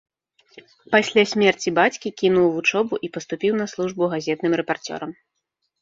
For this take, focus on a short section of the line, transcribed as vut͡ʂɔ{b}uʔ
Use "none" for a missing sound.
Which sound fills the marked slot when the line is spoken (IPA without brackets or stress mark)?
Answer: b